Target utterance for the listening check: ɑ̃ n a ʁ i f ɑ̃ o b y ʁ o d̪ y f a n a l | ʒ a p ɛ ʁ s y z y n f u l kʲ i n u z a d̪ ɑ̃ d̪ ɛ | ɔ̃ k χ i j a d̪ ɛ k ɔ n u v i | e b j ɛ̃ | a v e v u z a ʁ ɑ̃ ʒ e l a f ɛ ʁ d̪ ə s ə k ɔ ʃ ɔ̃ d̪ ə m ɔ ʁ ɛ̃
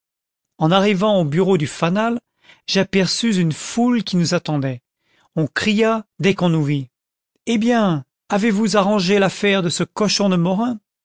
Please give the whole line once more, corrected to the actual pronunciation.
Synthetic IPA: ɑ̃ n a ʁ i v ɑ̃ o b y ʁ o d̪ y f a n a l | ʒ a p ɛ ʁ s y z y n f u l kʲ i n u z a t̪ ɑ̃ d̪ ɛ | ɔ̃ k χ i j a d̪ ɛ k ɔ̃ n u v i | e b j ɛ̃ | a v e v u z a ʁ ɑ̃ ʒ e l a f ɛ ʁ d̪ ə s ə k ɔ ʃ ɔ̃ d̪ ə m ɔ ʁ ɛ̃